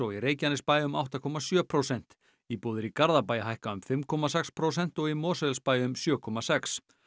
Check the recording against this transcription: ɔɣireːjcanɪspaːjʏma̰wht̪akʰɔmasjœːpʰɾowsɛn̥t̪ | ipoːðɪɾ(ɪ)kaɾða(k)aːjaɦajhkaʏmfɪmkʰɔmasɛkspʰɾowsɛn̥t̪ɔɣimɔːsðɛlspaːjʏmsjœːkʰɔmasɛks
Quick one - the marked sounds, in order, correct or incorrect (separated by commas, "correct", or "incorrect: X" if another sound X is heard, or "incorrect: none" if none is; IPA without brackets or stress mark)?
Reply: incorrect: i, incorrect: p